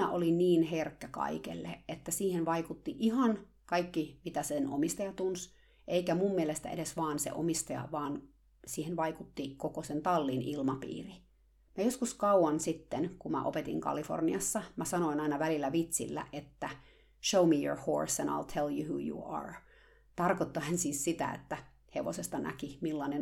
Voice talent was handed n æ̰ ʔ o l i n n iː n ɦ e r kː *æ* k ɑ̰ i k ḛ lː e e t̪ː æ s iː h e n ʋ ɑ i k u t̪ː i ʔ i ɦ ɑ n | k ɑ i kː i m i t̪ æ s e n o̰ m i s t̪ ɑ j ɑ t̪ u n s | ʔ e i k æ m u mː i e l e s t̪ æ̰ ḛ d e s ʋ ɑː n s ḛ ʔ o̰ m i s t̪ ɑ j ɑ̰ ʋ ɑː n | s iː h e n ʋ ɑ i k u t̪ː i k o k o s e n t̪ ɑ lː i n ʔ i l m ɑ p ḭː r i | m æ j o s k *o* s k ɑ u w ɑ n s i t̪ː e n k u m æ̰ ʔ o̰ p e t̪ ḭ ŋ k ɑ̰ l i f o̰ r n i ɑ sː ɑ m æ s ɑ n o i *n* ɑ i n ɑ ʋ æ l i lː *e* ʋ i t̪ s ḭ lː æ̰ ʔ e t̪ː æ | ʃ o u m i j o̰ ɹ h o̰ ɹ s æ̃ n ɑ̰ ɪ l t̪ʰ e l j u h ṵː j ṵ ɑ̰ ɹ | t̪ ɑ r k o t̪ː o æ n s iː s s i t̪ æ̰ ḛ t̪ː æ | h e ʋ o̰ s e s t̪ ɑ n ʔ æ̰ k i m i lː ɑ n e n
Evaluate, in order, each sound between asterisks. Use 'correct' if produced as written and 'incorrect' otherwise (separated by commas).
correct, incorrect, correct, incorrect